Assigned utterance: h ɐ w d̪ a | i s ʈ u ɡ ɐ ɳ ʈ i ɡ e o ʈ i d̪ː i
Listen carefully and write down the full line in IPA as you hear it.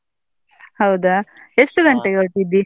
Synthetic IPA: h ɐ w d̪ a | e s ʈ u ɡ ɐ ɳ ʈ e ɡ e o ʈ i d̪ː i